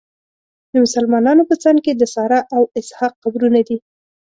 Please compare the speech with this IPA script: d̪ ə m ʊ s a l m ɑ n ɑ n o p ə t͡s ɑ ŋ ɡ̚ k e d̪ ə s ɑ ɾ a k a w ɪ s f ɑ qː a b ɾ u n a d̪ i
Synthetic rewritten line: d̪ ə m ʊ s a l m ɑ n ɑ n o p ə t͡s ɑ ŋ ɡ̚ k e d̪ ə s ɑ ɾ a ʔ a w ɪ s h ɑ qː a b ɾ u n a d̪ i